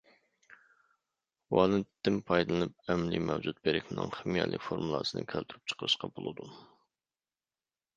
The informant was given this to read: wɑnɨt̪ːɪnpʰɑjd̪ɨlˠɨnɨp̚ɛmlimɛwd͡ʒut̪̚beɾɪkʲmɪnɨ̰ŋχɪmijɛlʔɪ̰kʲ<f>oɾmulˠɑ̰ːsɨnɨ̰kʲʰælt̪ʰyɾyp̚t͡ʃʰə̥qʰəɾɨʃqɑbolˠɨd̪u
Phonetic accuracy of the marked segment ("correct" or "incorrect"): correct